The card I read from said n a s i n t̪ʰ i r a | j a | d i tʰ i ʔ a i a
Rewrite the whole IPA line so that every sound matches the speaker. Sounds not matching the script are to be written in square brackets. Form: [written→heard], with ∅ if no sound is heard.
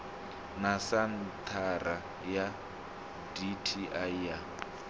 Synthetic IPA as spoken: n a s [i→a] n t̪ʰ [i→a] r a | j a | d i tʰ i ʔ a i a